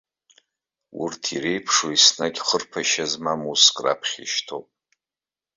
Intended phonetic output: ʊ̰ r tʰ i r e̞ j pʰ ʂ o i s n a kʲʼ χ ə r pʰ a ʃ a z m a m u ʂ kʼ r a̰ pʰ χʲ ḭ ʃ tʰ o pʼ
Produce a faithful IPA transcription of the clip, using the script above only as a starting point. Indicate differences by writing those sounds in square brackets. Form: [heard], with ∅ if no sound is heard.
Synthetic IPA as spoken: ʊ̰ r tʰ i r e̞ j pʰ ʂ o i s n a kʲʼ χ ə r pʰ a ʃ a z m a m u [s] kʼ r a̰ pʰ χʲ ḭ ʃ tʰ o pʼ